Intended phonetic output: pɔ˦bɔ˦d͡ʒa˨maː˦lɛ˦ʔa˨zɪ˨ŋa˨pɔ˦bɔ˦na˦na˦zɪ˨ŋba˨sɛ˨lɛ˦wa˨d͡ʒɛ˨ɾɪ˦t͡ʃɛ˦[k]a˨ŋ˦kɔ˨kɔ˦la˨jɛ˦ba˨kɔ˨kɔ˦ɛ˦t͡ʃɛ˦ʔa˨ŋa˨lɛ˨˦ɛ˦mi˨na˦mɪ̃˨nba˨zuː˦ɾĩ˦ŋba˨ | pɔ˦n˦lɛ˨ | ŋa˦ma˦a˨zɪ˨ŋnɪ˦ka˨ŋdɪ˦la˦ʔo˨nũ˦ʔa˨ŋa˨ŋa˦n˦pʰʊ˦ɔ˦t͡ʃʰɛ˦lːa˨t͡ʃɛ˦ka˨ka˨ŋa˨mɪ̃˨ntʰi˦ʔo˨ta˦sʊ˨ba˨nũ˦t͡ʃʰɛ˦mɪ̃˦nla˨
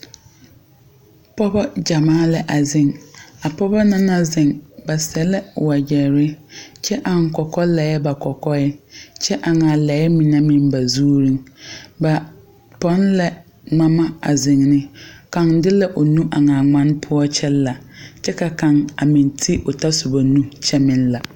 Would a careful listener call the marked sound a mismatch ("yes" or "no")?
yes